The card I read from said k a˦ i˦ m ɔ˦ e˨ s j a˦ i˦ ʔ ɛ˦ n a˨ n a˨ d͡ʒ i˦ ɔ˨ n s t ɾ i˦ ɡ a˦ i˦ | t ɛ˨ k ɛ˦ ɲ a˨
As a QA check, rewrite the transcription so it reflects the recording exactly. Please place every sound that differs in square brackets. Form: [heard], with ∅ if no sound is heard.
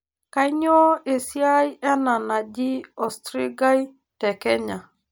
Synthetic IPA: k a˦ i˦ [ɲ] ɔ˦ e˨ s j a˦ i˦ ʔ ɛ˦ n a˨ n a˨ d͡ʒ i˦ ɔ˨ [∅] s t ɾ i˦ ɡ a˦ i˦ | t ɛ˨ k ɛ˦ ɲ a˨